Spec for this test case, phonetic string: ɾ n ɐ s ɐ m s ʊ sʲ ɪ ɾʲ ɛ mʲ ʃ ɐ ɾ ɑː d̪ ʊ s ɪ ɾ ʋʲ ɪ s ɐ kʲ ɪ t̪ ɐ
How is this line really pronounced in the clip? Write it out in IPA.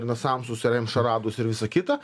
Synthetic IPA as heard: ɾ n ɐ s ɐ m s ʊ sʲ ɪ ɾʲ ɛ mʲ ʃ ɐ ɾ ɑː d̪ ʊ s ɪ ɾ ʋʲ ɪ s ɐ kʲ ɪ t̪ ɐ